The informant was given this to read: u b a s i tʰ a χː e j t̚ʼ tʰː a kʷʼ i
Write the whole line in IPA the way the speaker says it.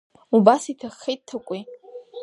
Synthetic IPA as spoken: u b a s i tʰ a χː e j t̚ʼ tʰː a kʷʼ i